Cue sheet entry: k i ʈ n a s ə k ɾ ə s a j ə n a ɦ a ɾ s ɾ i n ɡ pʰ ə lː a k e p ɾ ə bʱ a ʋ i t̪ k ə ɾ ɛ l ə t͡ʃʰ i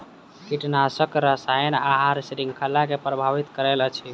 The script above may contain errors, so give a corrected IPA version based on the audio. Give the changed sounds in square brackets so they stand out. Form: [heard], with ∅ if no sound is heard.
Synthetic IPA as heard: k i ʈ n a s ə k ɾ ə s a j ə n a ɦ a ɾ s ɾ i [ŋ] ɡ [kʰ] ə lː a k e p ɾ ə bʱ a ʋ i t̪ k ə ɾ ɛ l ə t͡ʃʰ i